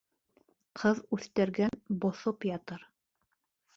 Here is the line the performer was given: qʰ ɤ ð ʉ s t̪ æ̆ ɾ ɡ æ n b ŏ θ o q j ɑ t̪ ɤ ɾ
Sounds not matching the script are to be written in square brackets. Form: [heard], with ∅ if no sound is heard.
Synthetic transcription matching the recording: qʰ ɤ ð ʉ [θ] t̪ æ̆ ɾ ɡ æ n b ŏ θ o [p] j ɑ t̪ ɤ ɾ